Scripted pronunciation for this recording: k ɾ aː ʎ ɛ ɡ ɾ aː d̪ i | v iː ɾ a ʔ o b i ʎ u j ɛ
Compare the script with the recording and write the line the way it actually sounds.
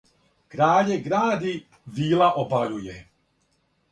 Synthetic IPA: k ɾ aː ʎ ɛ ɡ ɾ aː d̪ i | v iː l a ʔ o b a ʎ u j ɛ

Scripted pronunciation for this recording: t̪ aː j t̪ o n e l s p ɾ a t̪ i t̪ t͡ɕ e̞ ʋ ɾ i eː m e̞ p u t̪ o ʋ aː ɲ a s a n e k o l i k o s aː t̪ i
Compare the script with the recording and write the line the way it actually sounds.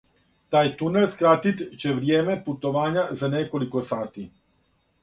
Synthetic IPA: t̪ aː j t̪ u n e l s k ɾ a t̪ i t̪ t͡ɕ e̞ ʋ ɾ j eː m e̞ p u t̪ o ʋ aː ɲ a z a n e k o l i k o s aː t̪ i

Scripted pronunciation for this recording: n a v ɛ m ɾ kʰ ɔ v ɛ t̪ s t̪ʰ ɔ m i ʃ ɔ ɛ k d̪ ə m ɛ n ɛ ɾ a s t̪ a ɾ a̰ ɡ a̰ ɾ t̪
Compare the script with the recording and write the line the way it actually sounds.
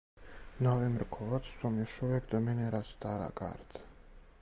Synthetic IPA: n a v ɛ m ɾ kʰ ɔ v a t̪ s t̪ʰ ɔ m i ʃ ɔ ɛ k d̪ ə m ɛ n ɛ ɾ a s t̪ a ɾ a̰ ɡ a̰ ɾ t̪

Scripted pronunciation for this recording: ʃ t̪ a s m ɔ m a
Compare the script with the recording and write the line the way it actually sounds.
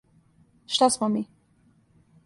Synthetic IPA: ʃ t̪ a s m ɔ m i

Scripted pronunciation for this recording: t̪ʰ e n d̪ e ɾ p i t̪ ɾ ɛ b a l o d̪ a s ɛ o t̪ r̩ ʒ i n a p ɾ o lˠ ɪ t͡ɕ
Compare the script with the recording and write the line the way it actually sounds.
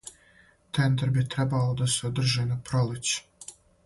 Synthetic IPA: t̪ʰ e n d̪ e ɾ b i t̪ ɾ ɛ b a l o d̪ a s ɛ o d̪ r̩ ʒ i n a p ɾ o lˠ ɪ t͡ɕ

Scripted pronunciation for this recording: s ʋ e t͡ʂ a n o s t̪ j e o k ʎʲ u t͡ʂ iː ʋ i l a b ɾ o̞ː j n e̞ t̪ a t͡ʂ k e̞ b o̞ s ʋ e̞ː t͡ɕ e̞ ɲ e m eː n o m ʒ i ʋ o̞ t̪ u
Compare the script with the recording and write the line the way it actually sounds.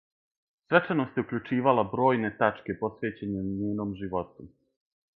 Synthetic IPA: s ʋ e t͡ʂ a n o s t̪ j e u k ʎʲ u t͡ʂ iː ʋ a l a b ɾ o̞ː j n e̞ t̪ a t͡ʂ k e̞ p o̞ s ʋ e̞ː t͡ɕ e̞ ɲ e ɲ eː n o m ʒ i ʋ o̞ t̪ u

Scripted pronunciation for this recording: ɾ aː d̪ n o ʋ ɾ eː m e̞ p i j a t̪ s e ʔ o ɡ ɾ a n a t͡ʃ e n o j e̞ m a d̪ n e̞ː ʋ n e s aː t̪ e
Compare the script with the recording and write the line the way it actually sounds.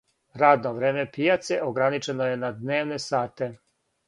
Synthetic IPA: ɾ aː d̪ n o ʋ ɾ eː m e̞ p i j a t̪ s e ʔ o ɡ ɾ a n i t͡ʃ e n o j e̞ n a d̪ n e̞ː ʋ n e s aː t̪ e

